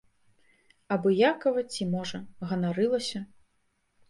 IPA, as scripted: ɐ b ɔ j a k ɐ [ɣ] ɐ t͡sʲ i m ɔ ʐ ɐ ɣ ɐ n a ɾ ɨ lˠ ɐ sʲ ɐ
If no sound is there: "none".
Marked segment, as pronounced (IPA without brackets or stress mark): v